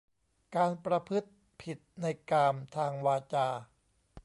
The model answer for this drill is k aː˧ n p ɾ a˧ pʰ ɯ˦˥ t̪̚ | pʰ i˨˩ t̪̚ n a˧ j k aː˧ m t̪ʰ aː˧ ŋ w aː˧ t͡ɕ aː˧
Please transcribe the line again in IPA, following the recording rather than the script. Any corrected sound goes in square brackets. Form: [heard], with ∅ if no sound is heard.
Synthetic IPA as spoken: k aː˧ n p ɾ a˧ pʰ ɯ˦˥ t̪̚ | pʰ i˨˩ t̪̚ n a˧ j k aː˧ m t̪ʰ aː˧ ŋ w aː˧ t͡ɕ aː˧